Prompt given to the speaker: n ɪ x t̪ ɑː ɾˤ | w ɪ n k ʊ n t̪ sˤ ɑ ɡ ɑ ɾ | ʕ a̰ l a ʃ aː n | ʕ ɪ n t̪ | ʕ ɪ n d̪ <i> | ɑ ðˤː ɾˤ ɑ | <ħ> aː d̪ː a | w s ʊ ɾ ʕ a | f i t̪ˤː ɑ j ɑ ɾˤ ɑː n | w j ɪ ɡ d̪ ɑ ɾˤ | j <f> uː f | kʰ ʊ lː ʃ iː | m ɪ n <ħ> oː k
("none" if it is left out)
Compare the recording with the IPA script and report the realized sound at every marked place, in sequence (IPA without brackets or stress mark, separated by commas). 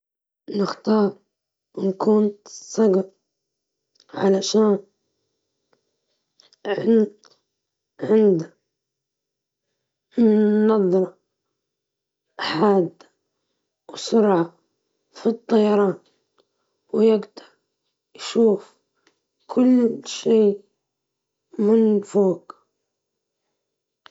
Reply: a, ħ, ʃ, f